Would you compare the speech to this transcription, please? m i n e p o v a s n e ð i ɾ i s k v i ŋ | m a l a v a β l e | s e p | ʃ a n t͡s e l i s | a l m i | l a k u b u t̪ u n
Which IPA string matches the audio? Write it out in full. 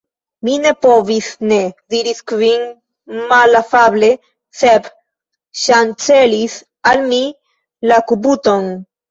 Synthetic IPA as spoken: m i n e p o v i s n e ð i ɾ i s k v i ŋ | m a l a f a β l e | s e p | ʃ a n t͡s e l i s | a l m i | l a k u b u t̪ o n